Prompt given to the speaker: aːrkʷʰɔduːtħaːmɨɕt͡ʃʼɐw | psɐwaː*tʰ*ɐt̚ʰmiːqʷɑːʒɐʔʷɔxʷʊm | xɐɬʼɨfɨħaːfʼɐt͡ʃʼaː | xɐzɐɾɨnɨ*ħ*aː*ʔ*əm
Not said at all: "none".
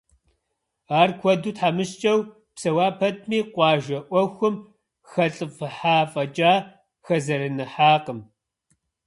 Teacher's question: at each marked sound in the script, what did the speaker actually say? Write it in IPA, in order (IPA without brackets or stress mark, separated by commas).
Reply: pʰ, ħ, q